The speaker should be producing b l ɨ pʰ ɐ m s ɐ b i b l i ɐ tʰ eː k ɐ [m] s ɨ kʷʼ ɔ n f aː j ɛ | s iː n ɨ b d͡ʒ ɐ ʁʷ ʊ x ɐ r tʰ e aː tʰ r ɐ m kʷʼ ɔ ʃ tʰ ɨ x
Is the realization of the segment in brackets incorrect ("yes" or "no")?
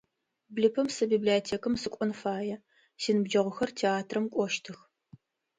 no